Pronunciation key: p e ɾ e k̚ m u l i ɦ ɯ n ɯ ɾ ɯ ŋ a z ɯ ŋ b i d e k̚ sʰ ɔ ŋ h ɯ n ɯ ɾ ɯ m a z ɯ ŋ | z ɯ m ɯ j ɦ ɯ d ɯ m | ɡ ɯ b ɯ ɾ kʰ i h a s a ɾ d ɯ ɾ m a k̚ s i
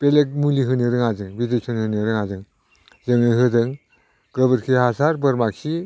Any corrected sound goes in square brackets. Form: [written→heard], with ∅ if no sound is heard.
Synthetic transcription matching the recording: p e [ɾ→l] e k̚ m u l i ɦ ɯ n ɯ ɾ ɯ ŋ a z ɯ ŋ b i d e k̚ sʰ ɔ [ŋ→n] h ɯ n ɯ ɾ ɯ [m→ŋ] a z ɯ ŋ | z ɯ [m→ŋ] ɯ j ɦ ɯ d ɯ [m→ŋ] | ɡ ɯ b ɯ ɾ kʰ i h a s a ɾ [d→b] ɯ ɾ m a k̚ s i